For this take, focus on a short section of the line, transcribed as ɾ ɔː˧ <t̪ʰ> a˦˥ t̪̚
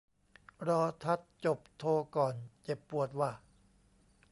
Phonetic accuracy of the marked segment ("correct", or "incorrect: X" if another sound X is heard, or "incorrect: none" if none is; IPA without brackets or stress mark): correct